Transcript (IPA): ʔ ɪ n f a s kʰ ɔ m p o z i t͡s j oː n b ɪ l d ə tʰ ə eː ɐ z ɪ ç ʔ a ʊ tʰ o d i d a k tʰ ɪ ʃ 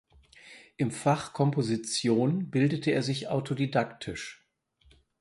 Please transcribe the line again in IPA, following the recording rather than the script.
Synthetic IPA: ʔ ɪ m f a χ kʰ ɔ m p o z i t͡s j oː n b ɪ l d ə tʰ ə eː ɐ z ɪ ç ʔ a ʊ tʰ o d i d a k tʰ ɪ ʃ

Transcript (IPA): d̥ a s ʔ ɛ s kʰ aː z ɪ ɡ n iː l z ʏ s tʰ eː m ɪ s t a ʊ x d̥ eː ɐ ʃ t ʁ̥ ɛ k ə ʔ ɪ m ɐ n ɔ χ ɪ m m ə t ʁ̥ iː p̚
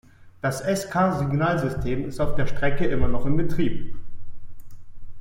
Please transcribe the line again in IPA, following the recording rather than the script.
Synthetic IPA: d̥ a s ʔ ɛ s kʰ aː z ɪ ɡ n aː l z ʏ s tʰ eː m ɪ s t a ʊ f d̥ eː ɐ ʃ t ʁ̥ ɛ k ə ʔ ɪ m ɐ n ɔ χ ɪ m b ə t ʁ̥ iː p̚

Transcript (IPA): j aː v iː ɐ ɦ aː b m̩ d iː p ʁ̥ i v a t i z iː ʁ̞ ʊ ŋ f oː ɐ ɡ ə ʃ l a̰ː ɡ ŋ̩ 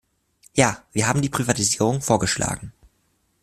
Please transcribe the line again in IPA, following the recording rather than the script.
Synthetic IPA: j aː v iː ɐ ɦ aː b m̩ d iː p ʁ̥ i v a t i z iː ʁ̞ ʊ ŋ f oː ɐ ɡ ə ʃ l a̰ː ɡ ŋ̩

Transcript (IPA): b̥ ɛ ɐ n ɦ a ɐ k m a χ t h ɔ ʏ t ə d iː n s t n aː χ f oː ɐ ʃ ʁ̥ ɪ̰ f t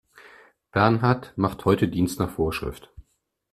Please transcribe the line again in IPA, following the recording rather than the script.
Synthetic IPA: b̥ ɛ ɐ n ɦ a ɐ t m a χ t h ɔ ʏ t ə d iː n s t n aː χ f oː ɐ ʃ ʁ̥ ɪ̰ f t

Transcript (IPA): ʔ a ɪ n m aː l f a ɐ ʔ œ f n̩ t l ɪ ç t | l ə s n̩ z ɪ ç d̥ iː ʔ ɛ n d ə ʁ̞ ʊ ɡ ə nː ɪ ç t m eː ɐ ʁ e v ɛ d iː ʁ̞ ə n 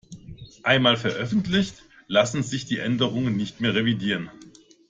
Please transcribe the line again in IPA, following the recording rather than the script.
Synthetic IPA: ʔ a ɪ n m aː l f ɛ ɐ ʔ œ f n̩ t l ɪ ç t | l a s n̩ z ɪ ç d̥ iː ʔ ɛ n d ə ʁ̞ ʊ ŋ ə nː ɪ ç t m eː ɐ ʁ e v i d iː ʁ̞ ə n

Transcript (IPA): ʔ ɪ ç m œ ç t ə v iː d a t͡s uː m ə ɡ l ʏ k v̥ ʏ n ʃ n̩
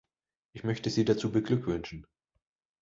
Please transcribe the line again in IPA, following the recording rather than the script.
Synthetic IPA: ʔ ɪ ç m œ ç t ə z iː d a t͡s uː b ə ɡ l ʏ k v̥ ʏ n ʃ n̩

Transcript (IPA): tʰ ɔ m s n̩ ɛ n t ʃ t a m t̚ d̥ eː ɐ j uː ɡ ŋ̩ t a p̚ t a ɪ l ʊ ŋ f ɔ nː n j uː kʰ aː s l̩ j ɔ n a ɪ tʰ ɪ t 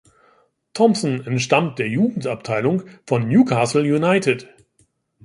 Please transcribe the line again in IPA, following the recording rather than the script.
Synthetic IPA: tʰ ɔ m s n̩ ɛ n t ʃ t a m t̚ d̥ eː ɐ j uː ɡ ŋ̩ t a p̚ tʰ a ɪ l ʊ ŋ f ɔ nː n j uː kʰ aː s l̩ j u n a ɪ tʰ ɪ t

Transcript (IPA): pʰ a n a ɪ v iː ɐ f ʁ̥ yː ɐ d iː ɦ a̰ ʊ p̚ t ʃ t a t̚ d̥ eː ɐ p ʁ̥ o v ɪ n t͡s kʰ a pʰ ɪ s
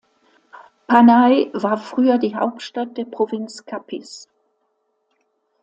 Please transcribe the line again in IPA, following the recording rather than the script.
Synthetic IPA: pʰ a n a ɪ v aː ɐ f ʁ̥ yː ɐ d iː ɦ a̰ ʊ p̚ t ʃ t a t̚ d̥ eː ɐ p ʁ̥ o v ɪ n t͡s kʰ a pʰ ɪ s

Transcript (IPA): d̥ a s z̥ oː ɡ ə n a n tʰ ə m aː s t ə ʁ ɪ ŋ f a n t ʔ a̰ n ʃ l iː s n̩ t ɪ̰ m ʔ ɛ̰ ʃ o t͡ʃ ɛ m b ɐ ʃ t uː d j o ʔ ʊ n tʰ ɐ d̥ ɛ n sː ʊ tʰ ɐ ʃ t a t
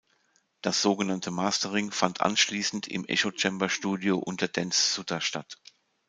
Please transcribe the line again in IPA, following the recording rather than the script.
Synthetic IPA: d̥ a s z̥ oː ɡ ə n a n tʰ ə m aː s t ə ʁ ɪ ŋ f a n t ʔ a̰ n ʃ l iː s n̩ t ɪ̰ m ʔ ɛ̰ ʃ o t͡ʃ ɛ m b ɐ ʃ t uː d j o ʔ ʊ n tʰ ɐ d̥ ɛ n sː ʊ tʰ ɐ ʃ t a t

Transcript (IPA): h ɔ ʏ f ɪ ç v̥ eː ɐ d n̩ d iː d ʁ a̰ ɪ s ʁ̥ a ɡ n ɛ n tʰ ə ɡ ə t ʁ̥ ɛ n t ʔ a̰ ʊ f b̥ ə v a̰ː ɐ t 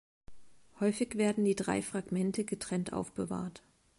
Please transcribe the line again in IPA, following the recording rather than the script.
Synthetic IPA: h ɔ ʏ f ɪ ç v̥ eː ɐ d n̩ d iː d ʁ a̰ ɪ f ʁ̥ a ɡ m ɛ n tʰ ə ɡ ə t ʁ̥ ɛ n t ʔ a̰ ʊ f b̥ ə v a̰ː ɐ t

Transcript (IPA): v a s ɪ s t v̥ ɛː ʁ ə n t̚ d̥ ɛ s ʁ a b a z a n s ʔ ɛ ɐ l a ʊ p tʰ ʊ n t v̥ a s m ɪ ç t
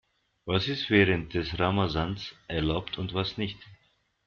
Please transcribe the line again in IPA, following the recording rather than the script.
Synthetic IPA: v a s ɪ s t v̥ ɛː ʁ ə n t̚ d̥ ɛ s ʁ a m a z a n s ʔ ɛ ɐ l a ʊ p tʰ ʊ n t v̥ a s n ɪ ç t

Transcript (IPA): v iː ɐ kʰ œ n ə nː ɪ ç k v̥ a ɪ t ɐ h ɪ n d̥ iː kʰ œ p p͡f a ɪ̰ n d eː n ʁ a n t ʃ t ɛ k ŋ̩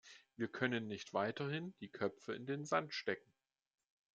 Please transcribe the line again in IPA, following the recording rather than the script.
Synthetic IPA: v iː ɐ kʰ œ n ə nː ɪ ç t v̥ a ɪ t ɐ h ɪ n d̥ iː kʰ œ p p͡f ə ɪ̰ n d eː n z a n t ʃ t ɛ k ŋ̩

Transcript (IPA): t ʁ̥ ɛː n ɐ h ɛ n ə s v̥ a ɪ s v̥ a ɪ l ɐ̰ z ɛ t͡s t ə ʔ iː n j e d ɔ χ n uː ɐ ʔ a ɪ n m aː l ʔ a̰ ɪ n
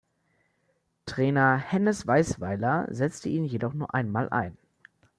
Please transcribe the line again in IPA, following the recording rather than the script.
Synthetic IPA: t ʁ̥ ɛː n ɐ h ɛ n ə s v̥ a ɪ s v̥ a ɪ l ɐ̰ z ɛ t͡s t ə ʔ iː n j e d ɔ χ n uː ɐ ʔ a ɪ n m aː l ʔ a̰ ɪ n

